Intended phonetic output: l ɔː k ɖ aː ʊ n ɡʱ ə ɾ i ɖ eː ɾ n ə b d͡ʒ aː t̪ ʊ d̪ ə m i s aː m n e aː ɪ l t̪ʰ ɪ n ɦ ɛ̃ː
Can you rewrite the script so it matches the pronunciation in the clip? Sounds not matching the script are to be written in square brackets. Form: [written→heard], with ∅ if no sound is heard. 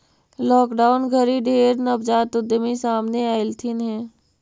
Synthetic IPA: l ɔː k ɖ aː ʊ n ɡʱ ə ɾ i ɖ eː ɾ n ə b d͡ʒ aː t̪ ʊ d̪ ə m i s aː m n e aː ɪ l t̪ʰ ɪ n ɦ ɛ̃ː